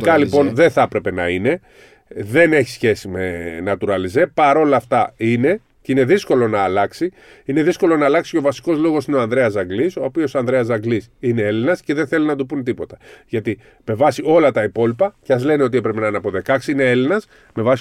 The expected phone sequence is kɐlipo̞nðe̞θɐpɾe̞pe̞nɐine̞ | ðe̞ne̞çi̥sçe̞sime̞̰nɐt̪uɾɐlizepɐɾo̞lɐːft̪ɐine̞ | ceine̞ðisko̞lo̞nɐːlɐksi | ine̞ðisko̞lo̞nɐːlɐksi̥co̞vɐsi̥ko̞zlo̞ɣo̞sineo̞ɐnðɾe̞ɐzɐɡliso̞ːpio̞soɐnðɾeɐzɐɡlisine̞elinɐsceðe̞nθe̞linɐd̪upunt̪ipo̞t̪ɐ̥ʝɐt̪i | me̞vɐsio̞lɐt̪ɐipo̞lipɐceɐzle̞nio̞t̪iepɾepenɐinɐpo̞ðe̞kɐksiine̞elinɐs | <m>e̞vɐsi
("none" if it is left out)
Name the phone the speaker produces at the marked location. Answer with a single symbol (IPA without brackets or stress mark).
m